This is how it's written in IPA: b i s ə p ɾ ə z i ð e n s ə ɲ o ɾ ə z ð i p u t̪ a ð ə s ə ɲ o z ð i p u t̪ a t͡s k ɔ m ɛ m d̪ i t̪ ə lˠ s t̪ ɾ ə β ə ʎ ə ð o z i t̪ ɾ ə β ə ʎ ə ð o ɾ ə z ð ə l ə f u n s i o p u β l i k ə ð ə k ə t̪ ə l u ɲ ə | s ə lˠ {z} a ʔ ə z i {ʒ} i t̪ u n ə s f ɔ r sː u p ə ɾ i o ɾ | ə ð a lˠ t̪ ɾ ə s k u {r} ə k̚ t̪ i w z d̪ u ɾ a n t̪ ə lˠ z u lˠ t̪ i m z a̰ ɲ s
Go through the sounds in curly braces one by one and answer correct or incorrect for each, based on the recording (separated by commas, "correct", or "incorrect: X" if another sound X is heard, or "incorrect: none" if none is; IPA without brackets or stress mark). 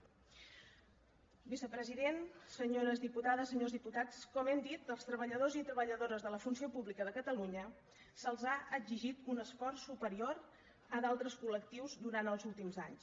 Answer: correct, correct, incorrect: l